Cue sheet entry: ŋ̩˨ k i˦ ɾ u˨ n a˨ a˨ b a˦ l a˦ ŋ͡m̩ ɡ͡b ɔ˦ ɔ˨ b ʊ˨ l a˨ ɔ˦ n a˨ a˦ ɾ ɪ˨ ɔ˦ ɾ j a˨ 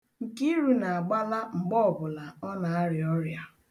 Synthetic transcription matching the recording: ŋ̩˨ k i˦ ɾ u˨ n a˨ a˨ ɡ͡b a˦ l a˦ ŋ͡m̩ ɡ͡b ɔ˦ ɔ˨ b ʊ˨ l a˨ ɔ˦ n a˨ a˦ ɾ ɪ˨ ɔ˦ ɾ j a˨